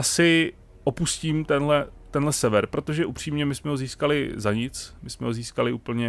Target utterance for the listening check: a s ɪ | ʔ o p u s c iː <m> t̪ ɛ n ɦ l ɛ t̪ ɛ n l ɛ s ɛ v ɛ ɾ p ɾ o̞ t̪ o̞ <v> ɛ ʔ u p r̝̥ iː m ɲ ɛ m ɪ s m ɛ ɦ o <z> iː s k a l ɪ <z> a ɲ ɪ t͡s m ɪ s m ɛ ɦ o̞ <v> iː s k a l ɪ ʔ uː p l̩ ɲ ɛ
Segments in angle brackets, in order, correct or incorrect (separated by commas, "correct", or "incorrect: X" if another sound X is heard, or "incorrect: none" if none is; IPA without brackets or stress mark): correct, incorrect: ʒ, correct, correct, incorrect: z